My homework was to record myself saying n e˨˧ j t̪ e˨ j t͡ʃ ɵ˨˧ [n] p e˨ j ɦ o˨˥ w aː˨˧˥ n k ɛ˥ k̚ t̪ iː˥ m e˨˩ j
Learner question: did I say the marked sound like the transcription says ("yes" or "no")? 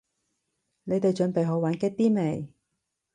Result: yes